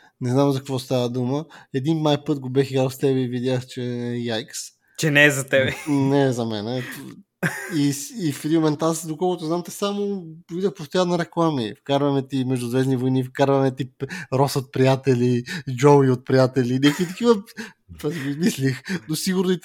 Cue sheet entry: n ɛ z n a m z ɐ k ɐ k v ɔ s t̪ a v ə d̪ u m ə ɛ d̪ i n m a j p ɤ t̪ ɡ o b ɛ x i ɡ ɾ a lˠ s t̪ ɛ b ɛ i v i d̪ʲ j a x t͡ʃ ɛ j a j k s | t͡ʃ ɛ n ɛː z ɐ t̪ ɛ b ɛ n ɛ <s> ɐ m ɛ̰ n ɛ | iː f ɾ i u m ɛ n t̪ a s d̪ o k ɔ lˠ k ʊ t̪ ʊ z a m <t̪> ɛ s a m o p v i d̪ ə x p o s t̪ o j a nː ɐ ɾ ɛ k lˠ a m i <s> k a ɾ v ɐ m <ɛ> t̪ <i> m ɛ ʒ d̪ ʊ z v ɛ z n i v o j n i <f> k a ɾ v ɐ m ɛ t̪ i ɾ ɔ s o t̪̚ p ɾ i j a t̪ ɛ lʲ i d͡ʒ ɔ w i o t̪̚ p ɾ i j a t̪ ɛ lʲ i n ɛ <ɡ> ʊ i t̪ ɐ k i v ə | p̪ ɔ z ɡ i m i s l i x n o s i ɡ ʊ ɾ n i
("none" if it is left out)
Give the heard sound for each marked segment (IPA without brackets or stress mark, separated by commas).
z, t̪, f, ɛ, i, f, k